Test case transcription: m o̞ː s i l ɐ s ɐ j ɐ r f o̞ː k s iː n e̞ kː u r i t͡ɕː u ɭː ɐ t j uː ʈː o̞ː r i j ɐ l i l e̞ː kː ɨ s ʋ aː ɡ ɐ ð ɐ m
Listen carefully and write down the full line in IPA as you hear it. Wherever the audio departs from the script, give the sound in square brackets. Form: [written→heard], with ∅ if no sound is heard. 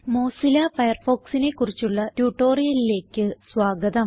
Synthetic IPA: m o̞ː s i l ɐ [s→f] ɐ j ɐ r f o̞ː k s [iː→i] n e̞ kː u r i t͡ɕː u ɭː ɐ t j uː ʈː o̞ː r i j ɐ l i l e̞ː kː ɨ s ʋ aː ɡ ɐ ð ɐ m